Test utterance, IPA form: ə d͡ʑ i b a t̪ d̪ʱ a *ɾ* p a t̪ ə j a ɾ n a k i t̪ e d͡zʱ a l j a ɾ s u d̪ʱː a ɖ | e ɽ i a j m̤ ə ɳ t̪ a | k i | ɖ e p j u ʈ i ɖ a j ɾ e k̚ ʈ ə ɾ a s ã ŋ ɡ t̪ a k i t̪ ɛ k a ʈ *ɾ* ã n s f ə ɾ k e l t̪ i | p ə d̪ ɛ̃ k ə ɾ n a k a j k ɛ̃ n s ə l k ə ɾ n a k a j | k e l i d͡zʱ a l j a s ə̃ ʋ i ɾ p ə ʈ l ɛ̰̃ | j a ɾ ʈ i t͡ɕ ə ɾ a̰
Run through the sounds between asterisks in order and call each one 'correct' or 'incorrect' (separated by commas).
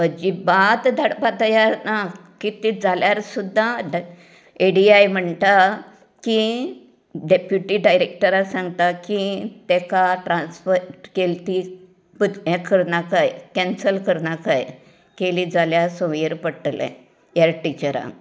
incorrect, correct